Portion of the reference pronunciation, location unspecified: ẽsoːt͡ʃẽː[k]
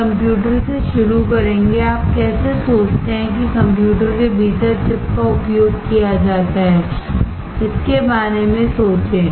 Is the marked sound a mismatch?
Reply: yes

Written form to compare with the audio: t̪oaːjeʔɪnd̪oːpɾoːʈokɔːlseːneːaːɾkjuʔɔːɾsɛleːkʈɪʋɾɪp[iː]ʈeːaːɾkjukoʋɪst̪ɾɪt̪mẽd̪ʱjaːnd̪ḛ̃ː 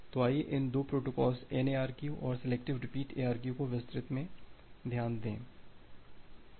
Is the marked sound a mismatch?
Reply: no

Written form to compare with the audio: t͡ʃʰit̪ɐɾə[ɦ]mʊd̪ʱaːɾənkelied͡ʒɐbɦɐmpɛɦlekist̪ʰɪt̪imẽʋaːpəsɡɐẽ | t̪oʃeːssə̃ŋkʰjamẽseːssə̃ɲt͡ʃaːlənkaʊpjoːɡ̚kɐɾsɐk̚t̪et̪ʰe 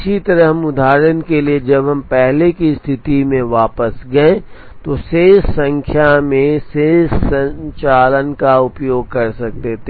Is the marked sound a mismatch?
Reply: no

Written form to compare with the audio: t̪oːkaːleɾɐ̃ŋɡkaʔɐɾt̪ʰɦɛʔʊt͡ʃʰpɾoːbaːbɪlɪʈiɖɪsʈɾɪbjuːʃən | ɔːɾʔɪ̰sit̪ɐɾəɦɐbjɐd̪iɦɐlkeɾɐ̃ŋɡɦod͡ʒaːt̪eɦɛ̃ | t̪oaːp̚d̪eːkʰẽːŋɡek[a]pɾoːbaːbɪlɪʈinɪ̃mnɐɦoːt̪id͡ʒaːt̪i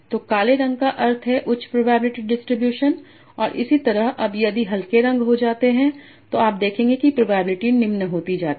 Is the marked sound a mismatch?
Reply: yes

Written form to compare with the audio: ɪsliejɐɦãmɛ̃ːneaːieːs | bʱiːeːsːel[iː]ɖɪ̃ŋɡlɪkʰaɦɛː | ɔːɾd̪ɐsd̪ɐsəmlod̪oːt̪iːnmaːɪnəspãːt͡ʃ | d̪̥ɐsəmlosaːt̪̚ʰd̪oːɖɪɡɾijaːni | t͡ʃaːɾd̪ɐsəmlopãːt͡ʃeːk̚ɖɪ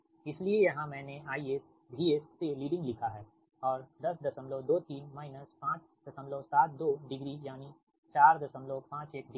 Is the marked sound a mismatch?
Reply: no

